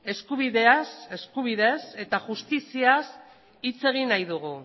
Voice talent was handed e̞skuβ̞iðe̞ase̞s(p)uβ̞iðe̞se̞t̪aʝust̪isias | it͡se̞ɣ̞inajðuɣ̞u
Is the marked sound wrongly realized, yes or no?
yes